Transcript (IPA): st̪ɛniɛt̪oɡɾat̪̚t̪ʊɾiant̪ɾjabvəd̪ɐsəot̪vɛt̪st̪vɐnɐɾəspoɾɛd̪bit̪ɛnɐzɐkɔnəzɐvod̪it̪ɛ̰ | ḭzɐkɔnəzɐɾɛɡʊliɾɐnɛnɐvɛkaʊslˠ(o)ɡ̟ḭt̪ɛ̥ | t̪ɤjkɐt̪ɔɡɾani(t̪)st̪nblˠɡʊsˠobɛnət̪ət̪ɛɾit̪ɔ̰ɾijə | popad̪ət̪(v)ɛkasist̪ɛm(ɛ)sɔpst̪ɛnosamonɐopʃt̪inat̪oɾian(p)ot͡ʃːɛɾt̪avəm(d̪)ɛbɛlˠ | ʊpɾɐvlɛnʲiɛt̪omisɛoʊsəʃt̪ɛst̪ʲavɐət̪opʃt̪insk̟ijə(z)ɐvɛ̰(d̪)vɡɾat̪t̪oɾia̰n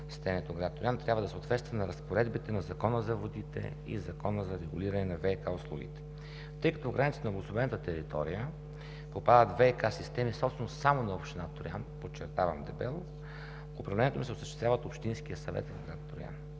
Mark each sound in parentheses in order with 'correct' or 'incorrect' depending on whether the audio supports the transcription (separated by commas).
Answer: incorrect, correct, correct, incorrect, correct, correct, incorrect, incorrect